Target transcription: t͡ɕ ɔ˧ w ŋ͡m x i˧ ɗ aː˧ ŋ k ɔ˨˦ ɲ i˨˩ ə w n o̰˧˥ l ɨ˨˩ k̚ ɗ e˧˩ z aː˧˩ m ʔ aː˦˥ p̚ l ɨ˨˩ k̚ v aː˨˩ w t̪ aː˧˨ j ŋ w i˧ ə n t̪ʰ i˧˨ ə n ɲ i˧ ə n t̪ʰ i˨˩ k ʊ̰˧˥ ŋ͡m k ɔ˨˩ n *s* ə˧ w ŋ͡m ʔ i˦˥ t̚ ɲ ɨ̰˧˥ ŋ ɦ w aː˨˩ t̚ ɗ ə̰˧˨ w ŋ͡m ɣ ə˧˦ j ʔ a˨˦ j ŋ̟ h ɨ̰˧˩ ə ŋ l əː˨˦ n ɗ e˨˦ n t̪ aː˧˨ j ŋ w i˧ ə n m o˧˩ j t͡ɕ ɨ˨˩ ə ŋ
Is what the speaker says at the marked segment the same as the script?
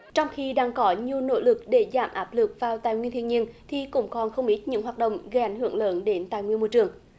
no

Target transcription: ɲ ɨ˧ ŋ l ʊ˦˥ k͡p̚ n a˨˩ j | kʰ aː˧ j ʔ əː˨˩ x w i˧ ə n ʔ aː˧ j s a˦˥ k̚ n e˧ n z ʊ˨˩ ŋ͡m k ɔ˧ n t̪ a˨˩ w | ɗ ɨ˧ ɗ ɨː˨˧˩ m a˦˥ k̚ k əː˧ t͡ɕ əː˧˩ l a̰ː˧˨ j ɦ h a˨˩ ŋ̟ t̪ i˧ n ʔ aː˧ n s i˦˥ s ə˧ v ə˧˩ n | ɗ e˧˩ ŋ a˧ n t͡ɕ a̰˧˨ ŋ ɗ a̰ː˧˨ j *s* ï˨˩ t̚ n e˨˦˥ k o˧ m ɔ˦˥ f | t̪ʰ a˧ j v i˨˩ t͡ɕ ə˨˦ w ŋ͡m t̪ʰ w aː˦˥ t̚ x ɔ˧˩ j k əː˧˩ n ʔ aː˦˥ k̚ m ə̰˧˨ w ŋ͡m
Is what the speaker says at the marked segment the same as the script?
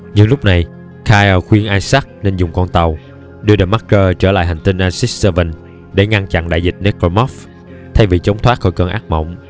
no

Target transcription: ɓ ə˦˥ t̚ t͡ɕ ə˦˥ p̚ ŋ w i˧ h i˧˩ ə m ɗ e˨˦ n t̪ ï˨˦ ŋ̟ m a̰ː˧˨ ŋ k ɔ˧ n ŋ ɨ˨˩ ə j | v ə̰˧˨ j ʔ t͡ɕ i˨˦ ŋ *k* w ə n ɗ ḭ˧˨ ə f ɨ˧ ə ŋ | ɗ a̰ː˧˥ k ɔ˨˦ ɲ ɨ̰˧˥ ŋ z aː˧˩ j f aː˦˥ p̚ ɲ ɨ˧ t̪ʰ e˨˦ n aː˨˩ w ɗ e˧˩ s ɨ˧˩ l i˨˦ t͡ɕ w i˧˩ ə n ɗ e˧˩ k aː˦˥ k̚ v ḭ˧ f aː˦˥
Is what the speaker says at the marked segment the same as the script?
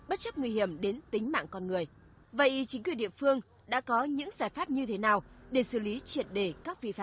yes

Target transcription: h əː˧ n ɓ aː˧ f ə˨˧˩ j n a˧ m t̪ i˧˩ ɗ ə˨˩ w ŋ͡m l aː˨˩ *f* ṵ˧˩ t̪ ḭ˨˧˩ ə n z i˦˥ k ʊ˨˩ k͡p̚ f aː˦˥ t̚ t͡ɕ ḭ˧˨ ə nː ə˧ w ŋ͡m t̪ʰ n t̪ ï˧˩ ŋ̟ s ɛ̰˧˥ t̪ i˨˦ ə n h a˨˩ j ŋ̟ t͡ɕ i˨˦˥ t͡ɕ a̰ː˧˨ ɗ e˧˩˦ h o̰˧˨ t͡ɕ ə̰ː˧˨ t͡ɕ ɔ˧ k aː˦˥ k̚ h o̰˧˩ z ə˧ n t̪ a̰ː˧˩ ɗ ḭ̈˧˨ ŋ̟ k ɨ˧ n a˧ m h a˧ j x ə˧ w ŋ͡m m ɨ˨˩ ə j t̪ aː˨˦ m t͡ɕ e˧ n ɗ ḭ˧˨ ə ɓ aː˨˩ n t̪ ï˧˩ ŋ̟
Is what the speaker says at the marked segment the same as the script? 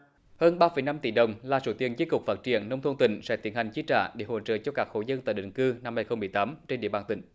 no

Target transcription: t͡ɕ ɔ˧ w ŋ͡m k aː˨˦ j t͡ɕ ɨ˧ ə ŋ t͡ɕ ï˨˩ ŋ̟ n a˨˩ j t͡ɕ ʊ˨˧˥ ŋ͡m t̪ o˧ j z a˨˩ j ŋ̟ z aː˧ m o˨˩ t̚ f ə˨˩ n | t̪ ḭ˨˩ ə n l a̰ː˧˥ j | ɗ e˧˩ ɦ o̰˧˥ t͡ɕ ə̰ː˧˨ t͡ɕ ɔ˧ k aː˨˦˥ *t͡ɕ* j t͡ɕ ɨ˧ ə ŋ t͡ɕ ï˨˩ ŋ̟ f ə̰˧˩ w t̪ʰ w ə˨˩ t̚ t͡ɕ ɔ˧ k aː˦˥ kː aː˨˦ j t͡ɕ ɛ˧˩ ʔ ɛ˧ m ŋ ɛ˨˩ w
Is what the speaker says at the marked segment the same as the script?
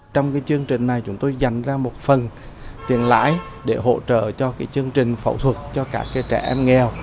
no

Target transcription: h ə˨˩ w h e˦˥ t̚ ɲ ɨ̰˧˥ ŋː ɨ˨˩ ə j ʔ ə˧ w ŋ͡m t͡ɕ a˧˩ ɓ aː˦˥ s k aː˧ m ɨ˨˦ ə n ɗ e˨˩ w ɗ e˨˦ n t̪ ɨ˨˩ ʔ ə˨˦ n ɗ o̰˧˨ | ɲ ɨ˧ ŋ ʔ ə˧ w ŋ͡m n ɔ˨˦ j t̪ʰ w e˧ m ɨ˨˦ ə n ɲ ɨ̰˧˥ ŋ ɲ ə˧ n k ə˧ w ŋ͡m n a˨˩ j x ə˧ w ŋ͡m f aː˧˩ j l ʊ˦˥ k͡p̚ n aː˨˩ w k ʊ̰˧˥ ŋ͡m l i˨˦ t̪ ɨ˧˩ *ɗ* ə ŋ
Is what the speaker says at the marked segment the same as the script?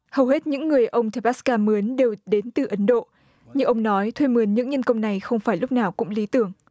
no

